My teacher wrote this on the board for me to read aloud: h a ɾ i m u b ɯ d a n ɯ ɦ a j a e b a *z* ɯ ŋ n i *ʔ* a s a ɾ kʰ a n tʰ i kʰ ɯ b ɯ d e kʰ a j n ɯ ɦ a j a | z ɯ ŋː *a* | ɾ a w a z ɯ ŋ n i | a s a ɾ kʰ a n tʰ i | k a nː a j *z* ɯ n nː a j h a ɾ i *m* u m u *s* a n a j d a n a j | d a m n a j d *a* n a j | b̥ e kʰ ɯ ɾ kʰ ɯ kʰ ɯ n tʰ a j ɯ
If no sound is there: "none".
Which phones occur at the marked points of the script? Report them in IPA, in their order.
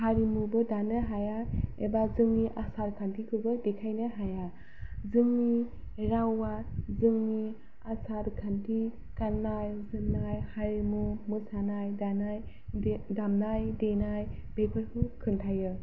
z, ʔ, i, z, m, s, e

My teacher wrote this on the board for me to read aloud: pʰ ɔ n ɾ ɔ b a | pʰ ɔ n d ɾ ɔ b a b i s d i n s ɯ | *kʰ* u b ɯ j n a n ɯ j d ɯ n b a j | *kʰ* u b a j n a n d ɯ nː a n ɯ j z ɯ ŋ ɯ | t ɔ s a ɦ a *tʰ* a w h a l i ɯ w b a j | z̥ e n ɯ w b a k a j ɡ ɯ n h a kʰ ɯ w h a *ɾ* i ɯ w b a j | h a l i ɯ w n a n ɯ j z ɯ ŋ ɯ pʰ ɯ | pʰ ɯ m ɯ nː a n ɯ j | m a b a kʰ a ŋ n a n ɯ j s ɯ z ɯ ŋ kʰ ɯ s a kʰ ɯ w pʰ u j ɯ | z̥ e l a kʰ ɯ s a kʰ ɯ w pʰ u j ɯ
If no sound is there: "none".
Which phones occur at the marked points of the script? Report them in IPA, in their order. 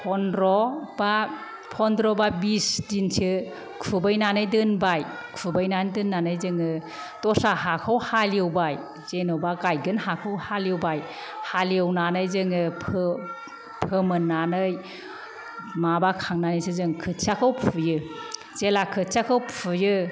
kʰ, kʰ, kʰ, l

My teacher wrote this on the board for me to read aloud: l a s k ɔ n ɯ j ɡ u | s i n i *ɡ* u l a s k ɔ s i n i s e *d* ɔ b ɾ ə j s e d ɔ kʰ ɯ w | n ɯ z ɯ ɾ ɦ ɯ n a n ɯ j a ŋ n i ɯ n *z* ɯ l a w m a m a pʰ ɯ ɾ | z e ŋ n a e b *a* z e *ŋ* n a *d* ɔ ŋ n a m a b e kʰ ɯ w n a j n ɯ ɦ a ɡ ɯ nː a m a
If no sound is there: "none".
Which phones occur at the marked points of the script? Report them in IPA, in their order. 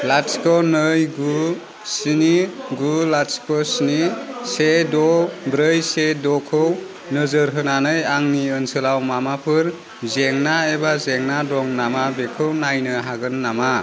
ɡ, d, s, a, ŋ, d

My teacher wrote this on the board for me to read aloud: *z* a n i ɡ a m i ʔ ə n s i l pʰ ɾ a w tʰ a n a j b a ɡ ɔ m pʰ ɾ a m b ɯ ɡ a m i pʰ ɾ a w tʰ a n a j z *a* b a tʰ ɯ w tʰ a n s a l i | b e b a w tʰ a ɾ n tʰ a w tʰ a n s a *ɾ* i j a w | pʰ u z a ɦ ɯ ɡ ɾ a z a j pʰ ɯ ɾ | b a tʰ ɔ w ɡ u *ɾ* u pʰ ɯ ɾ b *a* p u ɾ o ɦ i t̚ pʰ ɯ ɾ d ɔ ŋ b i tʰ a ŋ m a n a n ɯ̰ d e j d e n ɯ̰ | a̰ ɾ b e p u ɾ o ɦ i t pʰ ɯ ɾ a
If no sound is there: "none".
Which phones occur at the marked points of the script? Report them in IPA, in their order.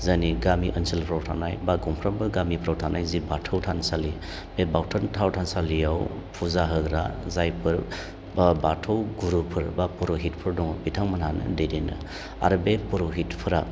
z, i, l, ɾ, a

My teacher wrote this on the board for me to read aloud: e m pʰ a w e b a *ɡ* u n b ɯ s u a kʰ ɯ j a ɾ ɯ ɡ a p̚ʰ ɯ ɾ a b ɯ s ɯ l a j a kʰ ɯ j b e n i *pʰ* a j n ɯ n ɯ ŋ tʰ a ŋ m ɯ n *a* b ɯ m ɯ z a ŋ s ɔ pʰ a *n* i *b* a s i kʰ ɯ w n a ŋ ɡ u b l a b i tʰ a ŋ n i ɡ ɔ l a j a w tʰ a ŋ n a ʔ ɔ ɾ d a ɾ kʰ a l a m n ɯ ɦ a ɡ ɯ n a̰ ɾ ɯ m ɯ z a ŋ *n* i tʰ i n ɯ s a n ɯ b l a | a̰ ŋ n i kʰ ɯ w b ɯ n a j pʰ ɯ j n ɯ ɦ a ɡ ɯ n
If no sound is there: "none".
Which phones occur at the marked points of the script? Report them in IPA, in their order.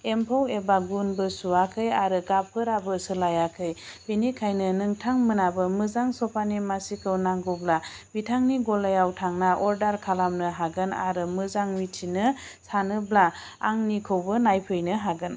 ɡ, kʰ, a, n, m, m

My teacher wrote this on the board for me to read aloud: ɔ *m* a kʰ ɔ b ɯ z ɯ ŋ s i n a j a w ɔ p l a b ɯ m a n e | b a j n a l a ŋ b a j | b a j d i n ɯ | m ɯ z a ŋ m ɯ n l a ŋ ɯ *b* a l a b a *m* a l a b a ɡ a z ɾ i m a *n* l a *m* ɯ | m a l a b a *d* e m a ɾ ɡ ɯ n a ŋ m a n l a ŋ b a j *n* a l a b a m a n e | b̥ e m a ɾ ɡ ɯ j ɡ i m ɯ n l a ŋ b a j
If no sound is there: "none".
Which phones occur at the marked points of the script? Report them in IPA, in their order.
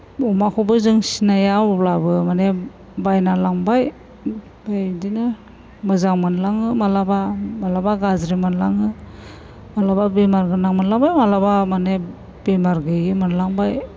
m, m, m, n, ŋ, b, m

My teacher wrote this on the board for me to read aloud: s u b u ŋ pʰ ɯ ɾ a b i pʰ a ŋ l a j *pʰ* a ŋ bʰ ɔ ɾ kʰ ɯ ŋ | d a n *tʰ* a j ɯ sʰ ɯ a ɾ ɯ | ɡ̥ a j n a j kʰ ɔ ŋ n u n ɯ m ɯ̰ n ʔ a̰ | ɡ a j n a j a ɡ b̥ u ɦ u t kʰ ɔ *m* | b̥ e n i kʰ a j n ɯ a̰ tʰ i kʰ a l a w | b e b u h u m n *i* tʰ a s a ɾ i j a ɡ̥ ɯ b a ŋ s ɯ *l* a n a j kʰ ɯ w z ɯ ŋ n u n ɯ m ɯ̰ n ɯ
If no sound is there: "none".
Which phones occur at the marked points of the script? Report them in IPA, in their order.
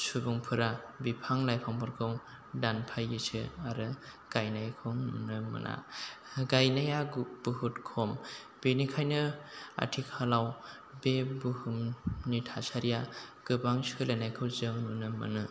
pʰ, pʰ, m, i, l

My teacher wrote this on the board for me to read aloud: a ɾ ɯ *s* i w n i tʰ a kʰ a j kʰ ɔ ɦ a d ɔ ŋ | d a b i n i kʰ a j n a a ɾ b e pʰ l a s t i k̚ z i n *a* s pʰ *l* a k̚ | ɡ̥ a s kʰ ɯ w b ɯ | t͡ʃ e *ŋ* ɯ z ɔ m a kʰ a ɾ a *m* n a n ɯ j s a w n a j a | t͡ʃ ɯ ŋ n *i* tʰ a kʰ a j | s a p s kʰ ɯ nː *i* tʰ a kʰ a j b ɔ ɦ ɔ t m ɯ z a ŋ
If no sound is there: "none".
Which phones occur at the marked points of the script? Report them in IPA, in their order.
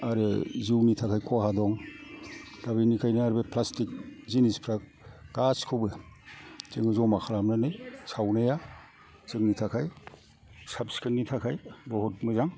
z, i, ɾ, ŋ, m, i, i

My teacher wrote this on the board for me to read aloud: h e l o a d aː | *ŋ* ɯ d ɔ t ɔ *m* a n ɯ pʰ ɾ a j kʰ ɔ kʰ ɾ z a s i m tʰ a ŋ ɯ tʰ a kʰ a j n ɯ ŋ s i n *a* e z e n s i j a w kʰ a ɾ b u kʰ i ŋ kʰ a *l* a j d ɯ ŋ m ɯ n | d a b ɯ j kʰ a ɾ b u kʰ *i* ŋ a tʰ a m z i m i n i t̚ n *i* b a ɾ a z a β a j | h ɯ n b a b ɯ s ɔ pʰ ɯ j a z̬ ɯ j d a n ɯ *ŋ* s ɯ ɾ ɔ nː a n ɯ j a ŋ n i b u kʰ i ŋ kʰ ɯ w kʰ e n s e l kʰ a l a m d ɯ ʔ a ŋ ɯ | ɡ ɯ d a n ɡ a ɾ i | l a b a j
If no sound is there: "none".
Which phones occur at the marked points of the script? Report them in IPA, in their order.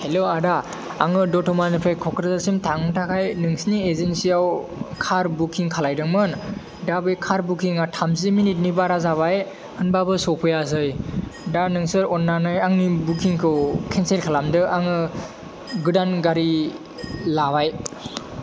ŋ, m, i, l, i, i, ŋ

